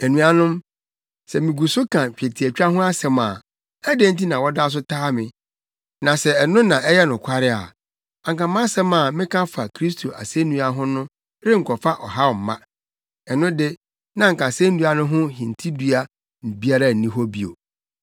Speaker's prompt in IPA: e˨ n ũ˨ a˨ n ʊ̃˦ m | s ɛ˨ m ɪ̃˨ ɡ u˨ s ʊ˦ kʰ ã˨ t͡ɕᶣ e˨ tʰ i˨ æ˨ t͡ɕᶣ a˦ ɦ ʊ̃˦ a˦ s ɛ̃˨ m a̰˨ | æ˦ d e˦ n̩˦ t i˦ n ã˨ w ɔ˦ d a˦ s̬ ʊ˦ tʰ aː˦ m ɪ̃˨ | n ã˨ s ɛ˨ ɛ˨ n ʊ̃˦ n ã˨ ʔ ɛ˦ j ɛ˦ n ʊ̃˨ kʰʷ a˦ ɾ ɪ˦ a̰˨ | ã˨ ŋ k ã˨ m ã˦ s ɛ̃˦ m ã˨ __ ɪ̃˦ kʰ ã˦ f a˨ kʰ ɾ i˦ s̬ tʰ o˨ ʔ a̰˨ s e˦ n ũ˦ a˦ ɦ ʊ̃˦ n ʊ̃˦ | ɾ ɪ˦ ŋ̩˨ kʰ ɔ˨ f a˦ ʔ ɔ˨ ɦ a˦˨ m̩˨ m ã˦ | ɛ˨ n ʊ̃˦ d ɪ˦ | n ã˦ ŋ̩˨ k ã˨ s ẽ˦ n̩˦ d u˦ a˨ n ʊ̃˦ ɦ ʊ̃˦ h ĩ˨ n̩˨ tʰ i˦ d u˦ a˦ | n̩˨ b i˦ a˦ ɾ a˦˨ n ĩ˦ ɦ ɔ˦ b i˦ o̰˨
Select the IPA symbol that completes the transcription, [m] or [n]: m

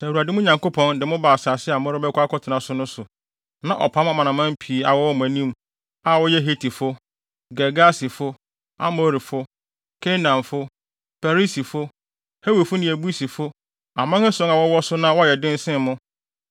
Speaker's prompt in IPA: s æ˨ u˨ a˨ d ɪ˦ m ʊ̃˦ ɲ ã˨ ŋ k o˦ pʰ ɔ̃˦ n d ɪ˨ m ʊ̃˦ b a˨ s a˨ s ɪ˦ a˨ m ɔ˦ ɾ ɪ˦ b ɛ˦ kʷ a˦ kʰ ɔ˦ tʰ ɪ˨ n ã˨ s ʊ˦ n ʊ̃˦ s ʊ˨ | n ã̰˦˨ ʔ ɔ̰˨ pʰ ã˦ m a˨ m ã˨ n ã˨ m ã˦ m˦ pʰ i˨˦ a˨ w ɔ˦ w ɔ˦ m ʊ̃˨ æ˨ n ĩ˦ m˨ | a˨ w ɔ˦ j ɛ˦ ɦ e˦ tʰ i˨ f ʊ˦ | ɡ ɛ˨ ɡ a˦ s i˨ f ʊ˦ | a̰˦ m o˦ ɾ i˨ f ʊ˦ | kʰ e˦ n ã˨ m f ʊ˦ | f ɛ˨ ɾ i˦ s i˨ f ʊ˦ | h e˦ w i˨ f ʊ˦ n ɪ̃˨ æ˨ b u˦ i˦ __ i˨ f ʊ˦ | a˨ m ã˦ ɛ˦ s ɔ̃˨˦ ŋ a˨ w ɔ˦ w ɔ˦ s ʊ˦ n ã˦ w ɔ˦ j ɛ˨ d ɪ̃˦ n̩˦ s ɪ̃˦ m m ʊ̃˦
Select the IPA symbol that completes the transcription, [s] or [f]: s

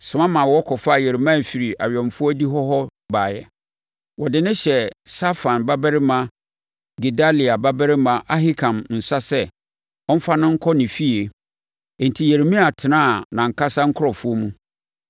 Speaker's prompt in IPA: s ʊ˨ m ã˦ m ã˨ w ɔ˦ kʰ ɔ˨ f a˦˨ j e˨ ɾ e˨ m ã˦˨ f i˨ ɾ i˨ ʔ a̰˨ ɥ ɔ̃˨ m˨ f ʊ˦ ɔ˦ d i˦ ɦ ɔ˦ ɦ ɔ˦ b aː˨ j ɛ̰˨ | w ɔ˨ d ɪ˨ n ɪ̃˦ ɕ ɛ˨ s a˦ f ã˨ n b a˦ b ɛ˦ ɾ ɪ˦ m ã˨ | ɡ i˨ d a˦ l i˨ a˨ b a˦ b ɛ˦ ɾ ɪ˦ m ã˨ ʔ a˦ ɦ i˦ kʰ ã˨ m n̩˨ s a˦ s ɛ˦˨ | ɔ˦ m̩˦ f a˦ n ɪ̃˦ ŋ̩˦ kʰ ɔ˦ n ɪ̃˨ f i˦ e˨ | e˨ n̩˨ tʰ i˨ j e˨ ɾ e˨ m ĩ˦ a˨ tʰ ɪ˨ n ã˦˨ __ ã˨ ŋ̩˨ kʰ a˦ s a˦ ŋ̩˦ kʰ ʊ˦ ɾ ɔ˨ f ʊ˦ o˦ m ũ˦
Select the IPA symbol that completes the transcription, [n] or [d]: n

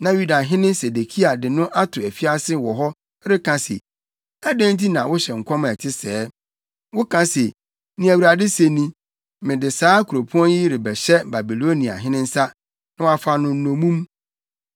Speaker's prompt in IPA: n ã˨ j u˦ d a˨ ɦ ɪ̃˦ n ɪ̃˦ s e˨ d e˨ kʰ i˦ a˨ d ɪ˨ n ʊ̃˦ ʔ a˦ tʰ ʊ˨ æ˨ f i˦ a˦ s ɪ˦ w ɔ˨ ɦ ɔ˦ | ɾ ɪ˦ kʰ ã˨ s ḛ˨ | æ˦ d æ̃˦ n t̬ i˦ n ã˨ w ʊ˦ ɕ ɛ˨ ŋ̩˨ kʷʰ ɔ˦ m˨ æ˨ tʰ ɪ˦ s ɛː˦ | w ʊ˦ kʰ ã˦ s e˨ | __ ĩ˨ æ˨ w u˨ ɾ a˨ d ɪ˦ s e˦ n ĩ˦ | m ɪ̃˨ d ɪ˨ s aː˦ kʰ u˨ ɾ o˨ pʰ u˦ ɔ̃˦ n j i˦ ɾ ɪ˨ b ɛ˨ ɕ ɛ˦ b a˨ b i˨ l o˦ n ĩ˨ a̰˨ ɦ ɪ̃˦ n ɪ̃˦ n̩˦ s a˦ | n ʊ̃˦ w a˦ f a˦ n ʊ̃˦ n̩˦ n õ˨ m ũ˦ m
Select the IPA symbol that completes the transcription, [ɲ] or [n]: n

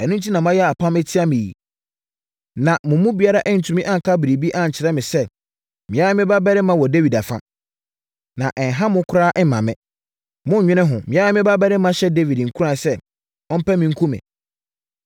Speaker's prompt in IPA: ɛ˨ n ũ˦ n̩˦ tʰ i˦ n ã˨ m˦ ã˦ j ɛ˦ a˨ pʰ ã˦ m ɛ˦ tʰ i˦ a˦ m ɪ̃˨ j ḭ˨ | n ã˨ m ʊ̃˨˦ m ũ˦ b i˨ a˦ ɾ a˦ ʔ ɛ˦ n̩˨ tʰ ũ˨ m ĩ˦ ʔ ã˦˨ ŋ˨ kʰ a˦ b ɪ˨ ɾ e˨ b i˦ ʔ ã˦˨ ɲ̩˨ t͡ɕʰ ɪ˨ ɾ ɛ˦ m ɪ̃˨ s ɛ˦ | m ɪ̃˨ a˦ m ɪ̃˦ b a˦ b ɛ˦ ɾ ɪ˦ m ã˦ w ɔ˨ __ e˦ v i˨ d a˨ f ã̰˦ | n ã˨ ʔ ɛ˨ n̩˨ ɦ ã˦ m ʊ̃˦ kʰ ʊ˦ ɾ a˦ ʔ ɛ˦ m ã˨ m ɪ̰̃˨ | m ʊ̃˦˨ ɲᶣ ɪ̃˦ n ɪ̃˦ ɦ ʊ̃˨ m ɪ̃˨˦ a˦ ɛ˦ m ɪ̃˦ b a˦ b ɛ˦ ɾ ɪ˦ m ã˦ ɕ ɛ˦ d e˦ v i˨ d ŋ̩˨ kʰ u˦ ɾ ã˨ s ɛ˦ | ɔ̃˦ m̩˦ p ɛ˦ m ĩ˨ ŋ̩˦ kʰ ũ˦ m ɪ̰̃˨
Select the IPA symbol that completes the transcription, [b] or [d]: d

